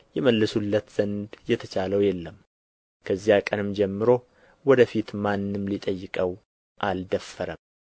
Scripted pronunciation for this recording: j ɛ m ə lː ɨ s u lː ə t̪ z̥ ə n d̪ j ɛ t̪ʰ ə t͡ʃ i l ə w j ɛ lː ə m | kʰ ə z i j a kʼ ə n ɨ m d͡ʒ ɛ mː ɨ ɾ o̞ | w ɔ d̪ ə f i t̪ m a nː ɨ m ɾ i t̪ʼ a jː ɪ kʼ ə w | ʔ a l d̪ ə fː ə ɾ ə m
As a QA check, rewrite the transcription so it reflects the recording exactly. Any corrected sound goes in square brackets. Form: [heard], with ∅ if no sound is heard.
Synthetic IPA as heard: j ɛ m ə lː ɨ s u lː ə t̪ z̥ ə n d̪ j ɛ t̪ʰ ə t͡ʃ [a] l ə w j ɛ lː ə m | kʰ ə z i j a kʼ ə n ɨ m d͡ʒ ɛ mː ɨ ɾ o̞ | w ɔ d̪ ə f i t̪ m a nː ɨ m [l] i t̪ʼ [ə] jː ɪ kʼ ə w | ʔ a l d̪ ə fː ə ɾ ə m